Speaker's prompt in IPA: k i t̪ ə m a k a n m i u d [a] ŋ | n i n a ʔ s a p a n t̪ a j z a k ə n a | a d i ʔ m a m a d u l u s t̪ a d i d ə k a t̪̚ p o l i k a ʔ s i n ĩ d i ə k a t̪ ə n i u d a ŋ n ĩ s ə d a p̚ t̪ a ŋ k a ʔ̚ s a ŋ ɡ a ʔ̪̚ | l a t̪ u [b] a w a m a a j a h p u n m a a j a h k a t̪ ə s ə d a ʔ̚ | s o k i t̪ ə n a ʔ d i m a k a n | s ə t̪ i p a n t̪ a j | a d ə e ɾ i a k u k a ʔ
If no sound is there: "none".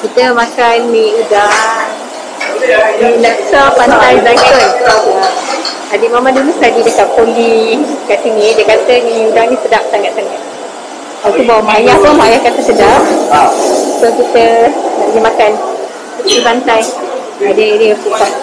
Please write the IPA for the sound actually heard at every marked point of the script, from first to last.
a, b

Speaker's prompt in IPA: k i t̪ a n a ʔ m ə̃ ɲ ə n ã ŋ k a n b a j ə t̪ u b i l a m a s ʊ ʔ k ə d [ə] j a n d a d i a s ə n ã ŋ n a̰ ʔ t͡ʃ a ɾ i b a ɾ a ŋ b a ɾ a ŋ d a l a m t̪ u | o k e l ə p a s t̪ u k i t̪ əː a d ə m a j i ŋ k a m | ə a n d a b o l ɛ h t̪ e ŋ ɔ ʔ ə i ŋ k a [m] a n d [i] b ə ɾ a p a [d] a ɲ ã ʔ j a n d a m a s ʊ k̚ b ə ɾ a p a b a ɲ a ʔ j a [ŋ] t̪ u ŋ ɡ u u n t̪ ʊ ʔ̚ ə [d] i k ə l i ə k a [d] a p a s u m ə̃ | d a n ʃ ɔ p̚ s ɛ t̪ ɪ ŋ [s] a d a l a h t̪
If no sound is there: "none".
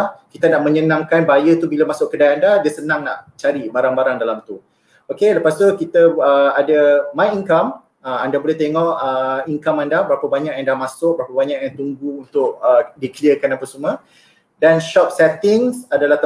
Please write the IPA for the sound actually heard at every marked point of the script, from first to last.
a, m, a, b, ŋ, d, n, s

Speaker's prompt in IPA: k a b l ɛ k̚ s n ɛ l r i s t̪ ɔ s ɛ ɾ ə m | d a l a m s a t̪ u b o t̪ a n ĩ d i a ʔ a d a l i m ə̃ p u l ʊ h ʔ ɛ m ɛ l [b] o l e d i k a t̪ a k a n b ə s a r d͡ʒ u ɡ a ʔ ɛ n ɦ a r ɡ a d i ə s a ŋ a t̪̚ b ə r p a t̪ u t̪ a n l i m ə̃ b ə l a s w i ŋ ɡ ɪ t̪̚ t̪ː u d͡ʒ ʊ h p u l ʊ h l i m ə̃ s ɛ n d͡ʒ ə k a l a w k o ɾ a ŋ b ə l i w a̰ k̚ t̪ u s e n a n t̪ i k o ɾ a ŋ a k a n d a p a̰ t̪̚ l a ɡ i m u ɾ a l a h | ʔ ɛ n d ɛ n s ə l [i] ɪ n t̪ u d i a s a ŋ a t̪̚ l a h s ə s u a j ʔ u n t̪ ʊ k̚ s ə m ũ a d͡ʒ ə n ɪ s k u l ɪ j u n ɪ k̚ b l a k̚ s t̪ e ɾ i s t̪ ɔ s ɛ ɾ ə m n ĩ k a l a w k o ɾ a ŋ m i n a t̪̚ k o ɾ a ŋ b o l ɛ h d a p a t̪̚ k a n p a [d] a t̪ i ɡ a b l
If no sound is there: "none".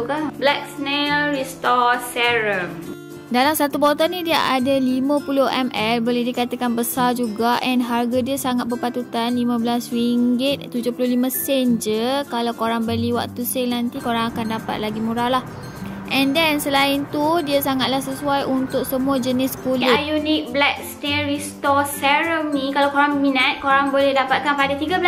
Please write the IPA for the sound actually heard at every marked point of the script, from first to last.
b, a, d

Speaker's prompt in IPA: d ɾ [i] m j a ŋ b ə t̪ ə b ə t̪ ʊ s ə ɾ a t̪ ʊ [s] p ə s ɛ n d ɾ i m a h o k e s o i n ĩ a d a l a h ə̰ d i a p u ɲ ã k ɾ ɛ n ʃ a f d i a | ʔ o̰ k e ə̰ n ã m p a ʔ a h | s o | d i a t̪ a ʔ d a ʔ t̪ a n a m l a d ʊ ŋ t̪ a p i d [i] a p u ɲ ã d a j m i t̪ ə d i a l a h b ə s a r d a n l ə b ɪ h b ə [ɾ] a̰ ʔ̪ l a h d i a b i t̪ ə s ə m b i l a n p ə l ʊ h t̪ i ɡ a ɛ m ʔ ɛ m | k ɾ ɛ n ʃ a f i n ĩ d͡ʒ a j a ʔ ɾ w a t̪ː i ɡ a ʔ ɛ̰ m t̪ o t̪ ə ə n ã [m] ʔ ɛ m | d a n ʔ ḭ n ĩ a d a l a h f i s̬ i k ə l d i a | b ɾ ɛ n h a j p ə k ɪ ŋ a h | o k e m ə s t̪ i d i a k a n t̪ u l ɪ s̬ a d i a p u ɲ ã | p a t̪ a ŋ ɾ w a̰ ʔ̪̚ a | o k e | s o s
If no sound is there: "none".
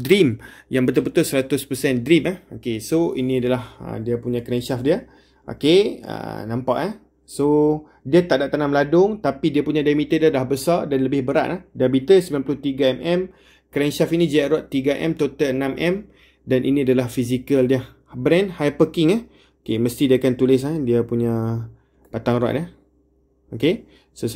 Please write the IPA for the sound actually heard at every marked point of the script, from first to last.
i, s, i, ɾ, m

